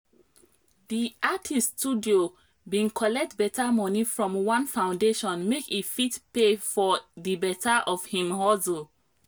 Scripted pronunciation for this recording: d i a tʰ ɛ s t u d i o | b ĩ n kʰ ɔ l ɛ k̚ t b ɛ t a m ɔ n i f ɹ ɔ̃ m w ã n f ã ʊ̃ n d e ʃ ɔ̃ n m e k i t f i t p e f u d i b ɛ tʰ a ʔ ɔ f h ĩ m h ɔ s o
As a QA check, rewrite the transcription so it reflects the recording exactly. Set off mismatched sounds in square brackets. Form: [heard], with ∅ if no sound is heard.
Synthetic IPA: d i a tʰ [i] s t u d i o | b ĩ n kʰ ɔ l ɛ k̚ t b ɛ t a m ɔ n i f ɹ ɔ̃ m w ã n f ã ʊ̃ n d e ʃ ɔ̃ n m e k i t f i t p e f [ɔ] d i b ɛ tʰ a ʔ ɔ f h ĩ m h ɔ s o